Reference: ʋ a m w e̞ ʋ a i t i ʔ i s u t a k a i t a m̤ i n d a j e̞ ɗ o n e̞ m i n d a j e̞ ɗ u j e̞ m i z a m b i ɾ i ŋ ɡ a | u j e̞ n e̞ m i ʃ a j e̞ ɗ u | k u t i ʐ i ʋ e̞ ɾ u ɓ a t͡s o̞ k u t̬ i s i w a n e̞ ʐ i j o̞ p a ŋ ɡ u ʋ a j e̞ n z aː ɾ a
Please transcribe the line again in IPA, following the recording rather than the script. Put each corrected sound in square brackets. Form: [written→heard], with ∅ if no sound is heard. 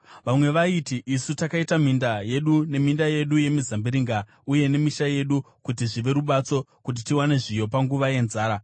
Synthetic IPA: ʋ a m w e̞ ʋ a i t i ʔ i s u t a k a i t a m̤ i n d a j e̞ ɗ [o→u] n e̞ m i n d a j e̞ ɗ u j e̞ m i z a m b i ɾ i ŋ ɡ a | u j e̞ n e̞ m i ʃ a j e̞ ɗ u | k u t i ʐ i ʋ e̞ ɾ u ɓ a t͡s o̞ k u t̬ i [s→t] i w a n e̞ ʐ i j o̞ p a ŋ ɡ u ʋ a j e̞ n z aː ɾ a